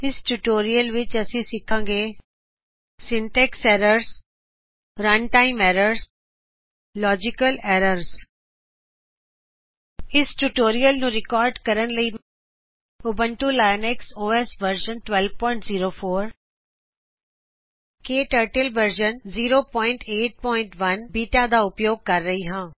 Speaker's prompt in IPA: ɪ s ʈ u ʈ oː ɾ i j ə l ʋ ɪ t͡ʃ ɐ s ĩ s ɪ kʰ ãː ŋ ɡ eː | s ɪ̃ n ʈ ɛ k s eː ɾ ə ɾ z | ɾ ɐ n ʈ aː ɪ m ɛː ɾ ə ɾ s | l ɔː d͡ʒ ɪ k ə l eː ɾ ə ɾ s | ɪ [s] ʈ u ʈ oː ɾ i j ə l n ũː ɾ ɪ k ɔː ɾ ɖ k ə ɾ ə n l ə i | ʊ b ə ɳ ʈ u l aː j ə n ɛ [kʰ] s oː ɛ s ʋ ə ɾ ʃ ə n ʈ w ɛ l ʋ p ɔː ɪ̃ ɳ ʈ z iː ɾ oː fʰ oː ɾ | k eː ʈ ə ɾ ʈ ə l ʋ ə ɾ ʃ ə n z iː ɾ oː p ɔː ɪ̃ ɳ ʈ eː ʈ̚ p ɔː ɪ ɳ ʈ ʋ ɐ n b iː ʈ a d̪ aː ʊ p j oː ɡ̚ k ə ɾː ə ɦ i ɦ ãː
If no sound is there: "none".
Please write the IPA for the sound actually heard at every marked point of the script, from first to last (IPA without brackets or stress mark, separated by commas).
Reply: s, k